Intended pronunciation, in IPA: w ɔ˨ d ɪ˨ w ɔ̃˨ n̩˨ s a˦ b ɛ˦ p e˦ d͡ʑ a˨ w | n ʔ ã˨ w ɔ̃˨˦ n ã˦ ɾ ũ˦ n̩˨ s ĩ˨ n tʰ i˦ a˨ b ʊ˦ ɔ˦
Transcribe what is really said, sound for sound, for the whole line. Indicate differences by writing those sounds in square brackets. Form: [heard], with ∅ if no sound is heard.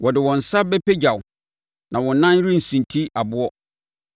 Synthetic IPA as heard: w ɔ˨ d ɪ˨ w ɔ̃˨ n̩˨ s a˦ b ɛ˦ p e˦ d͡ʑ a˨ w | n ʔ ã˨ w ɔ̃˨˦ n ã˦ ɾ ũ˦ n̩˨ s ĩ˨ n tʰ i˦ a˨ b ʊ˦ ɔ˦